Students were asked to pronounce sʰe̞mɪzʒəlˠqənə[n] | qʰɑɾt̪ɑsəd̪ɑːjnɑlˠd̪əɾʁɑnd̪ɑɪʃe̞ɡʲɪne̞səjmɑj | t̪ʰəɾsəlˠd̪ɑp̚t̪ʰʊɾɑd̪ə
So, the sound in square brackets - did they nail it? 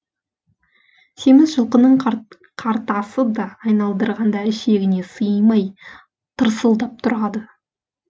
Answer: no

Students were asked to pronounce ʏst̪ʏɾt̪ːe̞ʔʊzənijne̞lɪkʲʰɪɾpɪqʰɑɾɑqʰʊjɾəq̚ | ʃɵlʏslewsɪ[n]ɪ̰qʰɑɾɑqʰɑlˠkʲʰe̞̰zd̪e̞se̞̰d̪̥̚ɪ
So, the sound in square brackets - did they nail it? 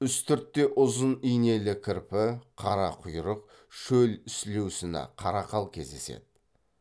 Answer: yes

